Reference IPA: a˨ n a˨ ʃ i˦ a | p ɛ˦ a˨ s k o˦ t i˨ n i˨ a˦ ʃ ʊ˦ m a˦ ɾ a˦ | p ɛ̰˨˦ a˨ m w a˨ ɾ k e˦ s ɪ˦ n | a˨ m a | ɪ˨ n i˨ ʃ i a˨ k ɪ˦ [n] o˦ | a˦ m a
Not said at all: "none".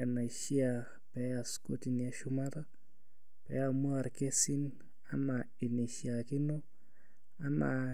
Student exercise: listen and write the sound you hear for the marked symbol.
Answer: n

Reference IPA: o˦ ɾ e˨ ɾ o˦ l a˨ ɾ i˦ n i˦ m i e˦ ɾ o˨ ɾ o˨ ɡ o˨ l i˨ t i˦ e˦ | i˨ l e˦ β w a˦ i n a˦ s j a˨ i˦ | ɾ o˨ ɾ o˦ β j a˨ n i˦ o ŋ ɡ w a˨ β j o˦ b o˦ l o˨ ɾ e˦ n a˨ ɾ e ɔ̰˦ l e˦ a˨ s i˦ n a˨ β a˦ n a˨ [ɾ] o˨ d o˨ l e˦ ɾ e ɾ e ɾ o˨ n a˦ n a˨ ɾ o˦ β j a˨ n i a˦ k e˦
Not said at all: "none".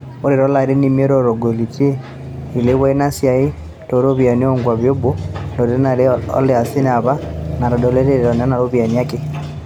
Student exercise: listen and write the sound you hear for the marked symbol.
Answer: ɾ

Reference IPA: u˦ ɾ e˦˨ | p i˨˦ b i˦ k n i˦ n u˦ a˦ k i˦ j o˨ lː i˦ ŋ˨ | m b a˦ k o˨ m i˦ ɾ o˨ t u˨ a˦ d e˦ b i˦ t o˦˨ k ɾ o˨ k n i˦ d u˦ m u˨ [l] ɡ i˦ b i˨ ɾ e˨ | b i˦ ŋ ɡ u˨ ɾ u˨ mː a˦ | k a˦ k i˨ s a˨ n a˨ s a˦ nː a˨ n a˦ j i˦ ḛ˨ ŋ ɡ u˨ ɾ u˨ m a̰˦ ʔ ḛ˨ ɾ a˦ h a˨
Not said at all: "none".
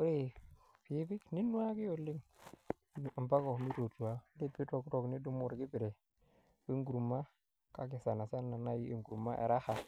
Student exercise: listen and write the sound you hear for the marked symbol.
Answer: ɾ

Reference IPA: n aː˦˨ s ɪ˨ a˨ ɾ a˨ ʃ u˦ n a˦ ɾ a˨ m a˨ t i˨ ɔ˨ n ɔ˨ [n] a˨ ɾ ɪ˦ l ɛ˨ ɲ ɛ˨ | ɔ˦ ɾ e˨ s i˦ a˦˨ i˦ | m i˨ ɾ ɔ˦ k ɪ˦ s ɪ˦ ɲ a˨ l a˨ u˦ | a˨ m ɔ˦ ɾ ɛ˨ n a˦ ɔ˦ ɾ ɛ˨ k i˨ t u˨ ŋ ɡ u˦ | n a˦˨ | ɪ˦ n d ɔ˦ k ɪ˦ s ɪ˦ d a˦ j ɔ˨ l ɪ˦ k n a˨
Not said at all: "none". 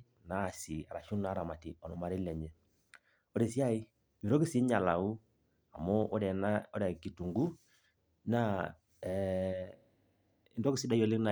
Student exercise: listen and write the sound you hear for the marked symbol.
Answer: m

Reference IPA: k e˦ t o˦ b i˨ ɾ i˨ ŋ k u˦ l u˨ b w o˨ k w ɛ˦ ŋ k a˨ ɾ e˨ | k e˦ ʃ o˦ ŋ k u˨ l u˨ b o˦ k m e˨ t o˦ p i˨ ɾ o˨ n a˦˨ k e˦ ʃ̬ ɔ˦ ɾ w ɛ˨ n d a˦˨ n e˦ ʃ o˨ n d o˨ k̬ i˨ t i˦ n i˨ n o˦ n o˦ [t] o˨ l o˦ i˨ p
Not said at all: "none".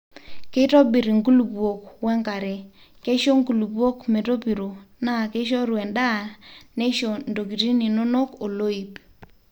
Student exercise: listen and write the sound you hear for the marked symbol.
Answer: k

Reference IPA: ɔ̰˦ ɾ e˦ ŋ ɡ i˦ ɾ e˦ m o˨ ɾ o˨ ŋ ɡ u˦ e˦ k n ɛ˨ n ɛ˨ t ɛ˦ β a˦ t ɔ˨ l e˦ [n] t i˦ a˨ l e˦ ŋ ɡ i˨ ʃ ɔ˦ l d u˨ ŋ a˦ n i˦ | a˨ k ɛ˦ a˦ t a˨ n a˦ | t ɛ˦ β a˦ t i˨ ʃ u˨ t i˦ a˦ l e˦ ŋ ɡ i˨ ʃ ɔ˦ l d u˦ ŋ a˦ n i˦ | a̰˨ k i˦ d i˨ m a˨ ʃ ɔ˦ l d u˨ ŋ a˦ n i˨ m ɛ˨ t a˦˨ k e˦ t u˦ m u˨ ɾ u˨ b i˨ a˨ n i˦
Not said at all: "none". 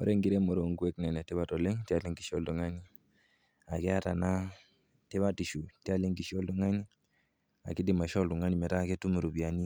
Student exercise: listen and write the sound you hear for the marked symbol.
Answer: ŋ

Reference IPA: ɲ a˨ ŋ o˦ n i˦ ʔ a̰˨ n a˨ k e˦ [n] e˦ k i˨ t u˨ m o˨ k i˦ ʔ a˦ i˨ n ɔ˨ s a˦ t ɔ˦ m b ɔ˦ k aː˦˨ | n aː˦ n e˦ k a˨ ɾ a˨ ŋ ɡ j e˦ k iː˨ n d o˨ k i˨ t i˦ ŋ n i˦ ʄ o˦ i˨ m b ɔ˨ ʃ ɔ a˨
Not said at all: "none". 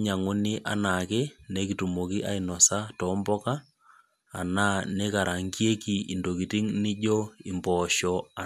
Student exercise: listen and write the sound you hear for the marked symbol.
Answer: n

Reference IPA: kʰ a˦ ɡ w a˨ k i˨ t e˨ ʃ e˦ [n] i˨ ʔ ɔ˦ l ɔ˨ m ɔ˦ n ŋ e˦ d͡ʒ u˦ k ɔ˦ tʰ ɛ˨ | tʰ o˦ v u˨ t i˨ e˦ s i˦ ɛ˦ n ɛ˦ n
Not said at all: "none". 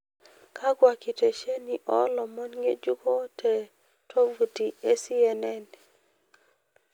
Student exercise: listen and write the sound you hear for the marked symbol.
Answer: n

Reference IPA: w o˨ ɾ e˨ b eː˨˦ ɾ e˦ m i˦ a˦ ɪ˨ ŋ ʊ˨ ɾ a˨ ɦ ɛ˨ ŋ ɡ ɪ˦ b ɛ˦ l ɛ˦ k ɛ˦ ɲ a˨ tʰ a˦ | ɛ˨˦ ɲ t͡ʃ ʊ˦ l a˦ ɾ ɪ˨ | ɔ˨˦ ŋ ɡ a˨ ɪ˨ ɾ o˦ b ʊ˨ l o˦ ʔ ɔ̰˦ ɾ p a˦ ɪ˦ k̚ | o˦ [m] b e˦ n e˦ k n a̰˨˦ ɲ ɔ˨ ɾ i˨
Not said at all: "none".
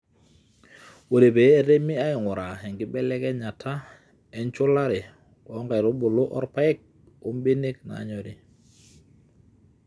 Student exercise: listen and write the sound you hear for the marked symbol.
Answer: m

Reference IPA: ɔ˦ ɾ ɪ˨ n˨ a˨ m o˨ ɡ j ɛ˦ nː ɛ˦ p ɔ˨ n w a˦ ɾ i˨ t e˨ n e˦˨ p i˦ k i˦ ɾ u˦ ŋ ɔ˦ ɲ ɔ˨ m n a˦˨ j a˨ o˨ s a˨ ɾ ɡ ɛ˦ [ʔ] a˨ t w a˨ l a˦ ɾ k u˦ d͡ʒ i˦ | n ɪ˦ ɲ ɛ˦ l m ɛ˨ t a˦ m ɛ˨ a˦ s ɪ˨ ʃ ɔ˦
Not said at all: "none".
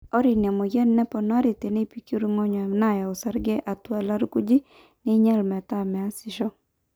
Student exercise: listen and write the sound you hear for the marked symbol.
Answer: ʔ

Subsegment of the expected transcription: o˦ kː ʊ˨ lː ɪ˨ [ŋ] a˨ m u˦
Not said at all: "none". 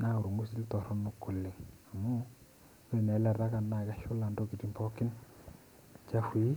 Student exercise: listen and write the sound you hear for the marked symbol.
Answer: ŋ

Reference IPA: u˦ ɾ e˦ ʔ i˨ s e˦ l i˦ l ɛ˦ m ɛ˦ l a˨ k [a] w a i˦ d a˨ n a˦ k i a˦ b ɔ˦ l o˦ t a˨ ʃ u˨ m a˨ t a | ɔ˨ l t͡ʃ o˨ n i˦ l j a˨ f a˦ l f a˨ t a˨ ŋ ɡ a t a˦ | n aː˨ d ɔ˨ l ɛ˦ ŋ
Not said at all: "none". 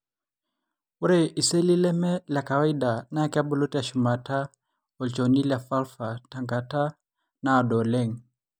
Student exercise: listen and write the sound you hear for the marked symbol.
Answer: a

